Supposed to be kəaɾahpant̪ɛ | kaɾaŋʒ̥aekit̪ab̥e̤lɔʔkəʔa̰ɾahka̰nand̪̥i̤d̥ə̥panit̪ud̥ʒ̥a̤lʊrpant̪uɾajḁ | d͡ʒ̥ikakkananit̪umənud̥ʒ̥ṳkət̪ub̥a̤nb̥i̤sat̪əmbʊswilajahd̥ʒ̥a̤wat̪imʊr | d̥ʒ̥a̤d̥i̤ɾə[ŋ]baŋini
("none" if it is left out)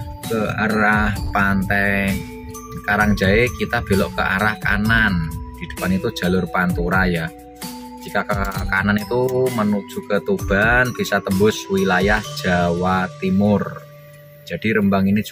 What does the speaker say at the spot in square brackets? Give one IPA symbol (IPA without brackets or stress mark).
m